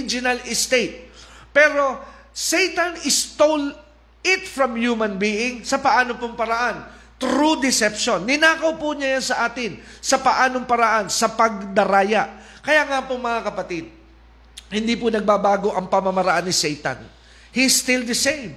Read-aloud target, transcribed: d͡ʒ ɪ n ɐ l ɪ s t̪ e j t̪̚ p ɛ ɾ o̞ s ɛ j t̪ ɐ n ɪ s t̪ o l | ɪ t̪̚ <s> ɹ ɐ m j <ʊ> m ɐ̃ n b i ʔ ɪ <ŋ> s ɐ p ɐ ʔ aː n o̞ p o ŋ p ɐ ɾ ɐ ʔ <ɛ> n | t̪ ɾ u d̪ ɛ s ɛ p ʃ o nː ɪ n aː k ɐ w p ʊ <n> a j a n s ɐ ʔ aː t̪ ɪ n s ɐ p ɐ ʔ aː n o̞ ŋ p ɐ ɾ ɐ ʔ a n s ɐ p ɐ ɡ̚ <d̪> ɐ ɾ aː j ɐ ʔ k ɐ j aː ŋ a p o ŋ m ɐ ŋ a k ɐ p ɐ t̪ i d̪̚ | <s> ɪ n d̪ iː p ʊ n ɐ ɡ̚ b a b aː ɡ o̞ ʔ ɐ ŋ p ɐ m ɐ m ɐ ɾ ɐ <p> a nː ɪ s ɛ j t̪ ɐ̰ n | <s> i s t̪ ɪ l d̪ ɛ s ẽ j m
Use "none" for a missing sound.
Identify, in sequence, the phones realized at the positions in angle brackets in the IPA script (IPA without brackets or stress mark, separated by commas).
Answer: f, u, ŋ, a, ɲ, d̪, h, ʔ, h